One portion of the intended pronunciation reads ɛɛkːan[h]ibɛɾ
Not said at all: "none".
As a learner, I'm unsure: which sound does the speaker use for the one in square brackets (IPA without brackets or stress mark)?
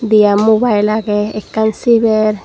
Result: s